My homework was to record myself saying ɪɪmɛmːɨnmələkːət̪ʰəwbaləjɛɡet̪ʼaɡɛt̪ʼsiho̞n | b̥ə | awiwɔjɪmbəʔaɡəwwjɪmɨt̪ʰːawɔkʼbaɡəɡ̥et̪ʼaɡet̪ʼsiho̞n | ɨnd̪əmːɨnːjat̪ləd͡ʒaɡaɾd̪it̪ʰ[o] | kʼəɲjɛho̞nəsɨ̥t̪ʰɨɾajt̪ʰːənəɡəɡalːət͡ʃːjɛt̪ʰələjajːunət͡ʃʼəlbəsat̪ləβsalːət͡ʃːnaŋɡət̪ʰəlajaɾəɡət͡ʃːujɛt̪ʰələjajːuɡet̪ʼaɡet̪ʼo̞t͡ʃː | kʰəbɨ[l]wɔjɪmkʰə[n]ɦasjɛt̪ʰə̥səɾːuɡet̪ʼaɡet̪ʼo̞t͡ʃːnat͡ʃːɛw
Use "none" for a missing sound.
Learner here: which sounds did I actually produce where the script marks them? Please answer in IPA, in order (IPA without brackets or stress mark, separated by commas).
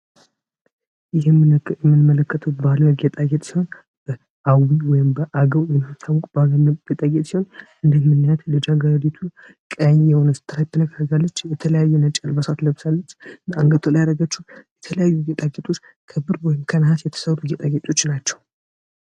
u, ɾ, n